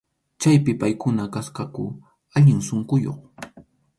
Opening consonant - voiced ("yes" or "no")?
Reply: no